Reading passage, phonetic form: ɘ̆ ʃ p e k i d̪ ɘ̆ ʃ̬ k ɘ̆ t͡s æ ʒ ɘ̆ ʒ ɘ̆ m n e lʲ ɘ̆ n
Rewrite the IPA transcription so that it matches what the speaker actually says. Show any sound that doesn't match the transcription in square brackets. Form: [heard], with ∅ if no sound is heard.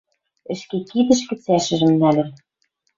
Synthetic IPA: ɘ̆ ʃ [k] e k i d̪ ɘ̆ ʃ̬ k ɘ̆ t͡s æ [ʃ] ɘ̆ ʒ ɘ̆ m n [æ] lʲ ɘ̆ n